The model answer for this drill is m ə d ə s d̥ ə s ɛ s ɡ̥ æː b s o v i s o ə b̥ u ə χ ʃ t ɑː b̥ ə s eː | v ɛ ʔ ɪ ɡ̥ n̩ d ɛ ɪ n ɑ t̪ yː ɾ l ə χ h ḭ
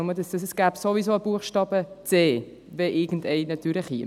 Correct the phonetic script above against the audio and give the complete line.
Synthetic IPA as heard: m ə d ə s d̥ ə s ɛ s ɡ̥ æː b s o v i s o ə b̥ u ə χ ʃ t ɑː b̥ ə t͡s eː | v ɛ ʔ ɪ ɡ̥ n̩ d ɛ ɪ n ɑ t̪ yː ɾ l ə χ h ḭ